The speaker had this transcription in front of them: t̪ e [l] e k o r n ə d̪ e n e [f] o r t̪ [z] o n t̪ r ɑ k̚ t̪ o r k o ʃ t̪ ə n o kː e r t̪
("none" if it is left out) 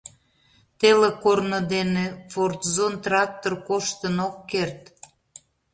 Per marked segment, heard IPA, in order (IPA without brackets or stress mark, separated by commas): l, f, z